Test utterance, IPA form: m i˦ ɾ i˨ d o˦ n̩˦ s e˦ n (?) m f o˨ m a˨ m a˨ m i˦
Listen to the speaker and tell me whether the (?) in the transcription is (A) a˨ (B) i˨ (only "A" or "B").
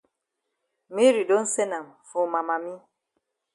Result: A